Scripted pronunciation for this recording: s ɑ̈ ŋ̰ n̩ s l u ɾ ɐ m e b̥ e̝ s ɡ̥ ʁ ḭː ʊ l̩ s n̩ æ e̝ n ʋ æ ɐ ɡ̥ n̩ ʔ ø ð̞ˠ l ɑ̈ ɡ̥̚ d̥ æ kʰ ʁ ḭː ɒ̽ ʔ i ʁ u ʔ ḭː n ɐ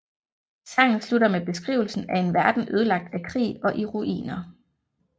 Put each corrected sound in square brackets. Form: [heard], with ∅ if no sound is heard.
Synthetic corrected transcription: s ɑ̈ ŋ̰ n̩ s l u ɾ ɐ m e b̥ e̝ s ɡ̥ ʁ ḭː ʊ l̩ s n̩ æ e̝ n ʋ æ ɐ [d̥] n̩ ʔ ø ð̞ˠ l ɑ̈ ɡ̥̚ d̥ æ kʰ ʁ ḭː ɒ̽ ʔ i ʁ u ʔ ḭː n ɐ